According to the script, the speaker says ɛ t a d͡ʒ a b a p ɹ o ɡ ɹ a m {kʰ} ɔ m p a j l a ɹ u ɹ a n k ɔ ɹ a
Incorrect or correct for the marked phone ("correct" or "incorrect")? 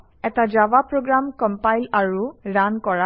incorrect